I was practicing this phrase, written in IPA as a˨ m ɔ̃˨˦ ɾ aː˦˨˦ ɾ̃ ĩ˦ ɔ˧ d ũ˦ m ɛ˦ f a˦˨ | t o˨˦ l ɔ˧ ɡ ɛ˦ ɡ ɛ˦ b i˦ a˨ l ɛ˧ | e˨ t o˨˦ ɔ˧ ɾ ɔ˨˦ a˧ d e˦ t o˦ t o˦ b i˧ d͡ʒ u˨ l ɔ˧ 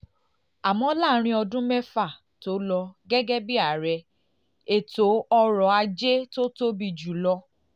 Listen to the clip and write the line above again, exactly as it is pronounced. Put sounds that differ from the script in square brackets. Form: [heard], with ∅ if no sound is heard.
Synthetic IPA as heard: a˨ m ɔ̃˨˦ [l] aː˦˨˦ ɾ̃ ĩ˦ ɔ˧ d ũ˦ m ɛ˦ f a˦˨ | t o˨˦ l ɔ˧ ɡ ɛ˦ ɡ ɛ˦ b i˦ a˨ [ɾ] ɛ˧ | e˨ t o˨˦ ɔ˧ ɾ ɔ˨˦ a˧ [d͡ʒ] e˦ t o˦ t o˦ b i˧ d͡ʒ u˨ l ɔ˧

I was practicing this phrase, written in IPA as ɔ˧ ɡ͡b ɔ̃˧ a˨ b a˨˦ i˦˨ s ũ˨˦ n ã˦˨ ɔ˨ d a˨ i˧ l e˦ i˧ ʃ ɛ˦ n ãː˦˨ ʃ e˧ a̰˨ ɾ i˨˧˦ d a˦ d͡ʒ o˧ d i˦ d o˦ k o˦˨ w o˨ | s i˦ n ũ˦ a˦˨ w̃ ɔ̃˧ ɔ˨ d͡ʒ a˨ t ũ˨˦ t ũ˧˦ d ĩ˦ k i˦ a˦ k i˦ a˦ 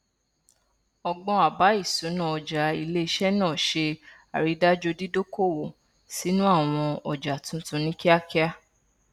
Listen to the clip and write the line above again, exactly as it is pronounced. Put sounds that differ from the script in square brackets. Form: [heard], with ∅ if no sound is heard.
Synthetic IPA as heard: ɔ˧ ɡ͡b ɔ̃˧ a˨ b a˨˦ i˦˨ s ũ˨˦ n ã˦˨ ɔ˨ [d͡ʒ] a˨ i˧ l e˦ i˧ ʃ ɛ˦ n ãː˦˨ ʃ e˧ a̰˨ ɾ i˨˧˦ d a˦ d͡ʒ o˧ d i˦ d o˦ k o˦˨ w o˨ | s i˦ n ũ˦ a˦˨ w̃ ɔ̃˧ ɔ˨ d͡ʒ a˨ t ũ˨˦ t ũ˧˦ [n] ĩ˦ k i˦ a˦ k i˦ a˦

